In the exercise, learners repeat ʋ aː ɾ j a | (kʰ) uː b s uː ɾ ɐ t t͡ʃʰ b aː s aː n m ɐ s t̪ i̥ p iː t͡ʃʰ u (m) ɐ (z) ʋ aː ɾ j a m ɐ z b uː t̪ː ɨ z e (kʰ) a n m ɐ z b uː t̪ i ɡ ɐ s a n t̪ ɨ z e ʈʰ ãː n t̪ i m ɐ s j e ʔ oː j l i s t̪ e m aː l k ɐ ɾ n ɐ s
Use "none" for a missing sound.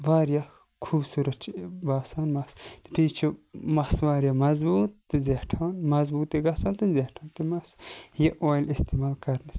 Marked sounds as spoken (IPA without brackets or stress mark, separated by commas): kʰ, m, s, ʈʰ